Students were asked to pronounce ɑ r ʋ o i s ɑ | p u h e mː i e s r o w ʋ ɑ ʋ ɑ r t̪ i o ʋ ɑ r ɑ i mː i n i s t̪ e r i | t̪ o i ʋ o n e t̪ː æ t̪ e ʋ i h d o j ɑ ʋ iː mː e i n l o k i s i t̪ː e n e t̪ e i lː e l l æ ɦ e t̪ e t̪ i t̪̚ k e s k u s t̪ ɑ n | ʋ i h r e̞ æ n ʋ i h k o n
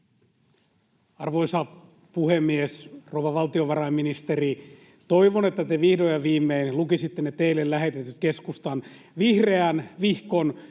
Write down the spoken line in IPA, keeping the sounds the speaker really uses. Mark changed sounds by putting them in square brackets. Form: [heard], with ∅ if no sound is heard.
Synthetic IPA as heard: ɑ r ʋ o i s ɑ | p u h e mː i e s r o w ʋ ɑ ʋ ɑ [l] t̪ i o ʋ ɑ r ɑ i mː i n i s t̪ e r i | t̪ o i ʋ o n e t̪ː æ t̪ e ʋ i h d o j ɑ ʋ iː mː e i n l [u] k i s i t̪ː e n e t̪ e i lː e l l æ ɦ e t̪ e t̪ [y] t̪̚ k e s k u s t̪ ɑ n | ʋ i h r e̞ æ n ʋ i h k o n